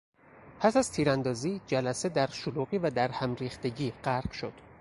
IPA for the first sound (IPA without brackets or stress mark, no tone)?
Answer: pʰ